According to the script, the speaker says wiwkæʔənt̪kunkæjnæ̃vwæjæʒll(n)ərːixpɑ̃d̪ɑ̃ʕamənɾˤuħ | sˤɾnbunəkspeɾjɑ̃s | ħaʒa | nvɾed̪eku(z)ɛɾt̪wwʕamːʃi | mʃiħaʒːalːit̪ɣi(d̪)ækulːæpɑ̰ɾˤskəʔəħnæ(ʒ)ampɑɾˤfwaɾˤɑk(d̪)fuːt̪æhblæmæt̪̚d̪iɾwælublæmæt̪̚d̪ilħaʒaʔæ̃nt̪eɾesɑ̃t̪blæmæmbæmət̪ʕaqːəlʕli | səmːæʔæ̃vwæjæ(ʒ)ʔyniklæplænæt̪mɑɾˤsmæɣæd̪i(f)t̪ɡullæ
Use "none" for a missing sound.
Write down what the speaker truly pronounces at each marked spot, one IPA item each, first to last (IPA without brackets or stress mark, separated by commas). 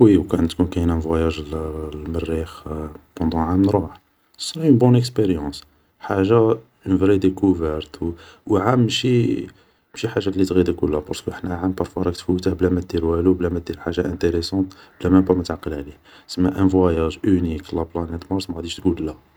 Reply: m, v, d̪, ʕ, t̪, ʒ, ʃ